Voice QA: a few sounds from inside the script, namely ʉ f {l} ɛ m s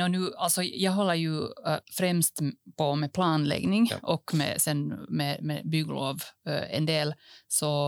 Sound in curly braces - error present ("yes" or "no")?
yes